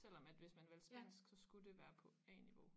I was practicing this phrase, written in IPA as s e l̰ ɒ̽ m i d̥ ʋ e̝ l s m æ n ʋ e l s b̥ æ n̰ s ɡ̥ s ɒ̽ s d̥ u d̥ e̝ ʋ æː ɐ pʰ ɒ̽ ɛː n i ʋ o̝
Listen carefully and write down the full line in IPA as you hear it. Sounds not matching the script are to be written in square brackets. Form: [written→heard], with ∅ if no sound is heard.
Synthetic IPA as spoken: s e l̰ ɒ̽ m [i→æ] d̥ ʋ e̝ [l→∅] s m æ n ʋ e l s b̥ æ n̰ s ɡ̥ s ɒ̽ s [d̥→ɡ̥] u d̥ e̝ ʋ æː ɐ pʰ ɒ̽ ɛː n i ʋ o̝